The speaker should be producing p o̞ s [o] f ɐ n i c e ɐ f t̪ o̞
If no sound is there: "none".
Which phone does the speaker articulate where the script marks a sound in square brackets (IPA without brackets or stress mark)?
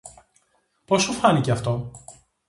u